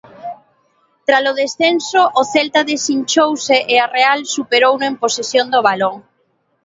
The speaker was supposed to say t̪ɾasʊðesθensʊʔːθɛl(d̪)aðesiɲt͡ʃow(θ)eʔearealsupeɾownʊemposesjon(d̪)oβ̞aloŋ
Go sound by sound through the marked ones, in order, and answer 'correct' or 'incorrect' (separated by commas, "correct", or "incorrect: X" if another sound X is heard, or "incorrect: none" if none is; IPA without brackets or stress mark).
incorrect: t̪, incorrect: s, correct